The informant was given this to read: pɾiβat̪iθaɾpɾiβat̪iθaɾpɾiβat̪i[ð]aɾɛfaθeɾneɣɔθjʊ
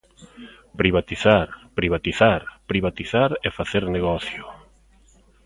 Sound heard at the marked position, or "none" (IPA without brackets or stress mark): θ